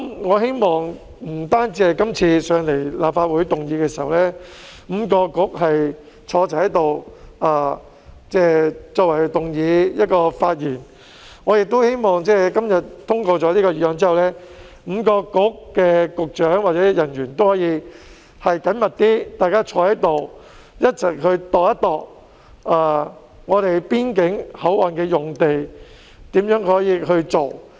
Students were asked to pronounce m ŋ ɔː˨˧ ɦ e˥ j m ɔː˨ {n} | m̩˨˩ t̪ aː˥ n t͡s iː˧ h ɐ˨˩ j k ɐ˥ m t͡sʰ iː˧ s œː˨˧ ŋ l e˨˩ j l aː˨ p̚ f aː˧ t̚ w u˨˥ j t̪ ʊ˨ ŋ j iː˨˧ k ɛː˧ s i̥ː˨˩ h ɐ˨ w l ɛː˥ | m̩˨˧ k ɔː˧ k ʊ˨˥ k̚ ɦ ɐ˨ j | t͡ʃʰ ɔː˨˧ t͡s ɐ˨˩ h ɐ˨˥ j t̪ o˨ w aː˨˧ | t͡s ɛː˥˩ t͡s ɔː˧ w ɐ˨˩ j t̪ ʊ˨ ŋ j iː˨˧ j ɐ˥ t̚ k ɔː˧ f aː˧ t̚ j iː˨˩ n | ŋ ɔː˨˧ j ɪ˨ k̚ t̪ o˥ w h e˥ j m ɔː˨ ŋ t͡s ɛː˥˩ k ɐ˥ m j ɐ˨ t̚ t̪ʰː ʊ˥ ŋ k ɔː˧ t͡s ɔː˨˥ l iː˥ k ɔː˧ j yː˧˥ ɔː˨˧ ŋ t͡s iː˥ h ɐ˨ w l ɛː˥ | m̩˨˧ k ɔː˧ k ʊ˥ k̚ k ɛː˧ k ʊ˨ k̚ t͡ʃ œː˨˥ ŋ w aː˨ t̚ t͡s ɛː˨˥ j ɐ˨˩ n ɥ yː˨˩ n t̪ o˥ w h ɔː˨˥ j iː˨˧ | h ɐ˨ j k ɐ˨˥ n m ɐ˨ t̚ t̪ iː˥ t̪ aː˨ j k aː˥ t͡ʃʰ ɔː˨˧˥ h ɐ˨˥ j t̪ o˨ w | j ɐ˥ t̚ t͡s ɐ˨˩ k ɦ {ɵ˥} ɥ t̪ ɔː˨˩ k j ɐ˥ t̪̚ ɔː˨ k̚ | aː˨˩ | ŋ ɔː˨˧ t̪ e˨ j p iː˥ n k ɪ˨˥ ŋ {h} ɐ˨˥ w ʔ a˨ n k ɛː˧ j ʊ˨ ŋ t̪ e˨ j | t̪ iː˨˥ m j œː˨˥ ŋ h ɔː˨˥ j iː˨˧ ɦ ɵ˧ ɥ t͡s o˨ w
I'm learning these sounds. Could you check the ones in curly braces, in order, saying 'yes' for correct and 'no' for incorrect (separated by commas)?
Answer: no, no, yes